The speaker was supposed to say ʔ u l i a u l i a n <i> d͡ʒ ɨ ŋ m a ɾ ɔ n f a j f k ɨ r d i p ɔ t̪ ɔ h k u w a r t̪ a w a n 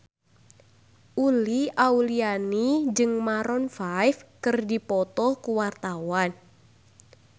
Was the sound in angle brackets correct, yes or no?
yes